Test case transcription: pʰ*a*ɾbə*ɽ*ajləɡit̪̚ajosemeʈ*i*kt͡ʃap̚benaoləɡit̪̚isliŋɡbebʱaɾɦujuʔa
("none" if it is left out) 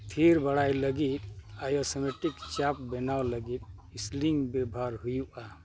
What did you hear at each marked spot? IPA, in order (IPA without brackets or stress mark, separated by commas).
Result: i, ɽ, i